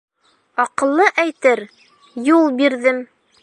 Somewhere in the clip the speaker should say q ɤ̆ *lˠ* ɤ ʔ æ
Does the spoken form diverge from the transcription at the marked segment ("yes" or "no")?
yes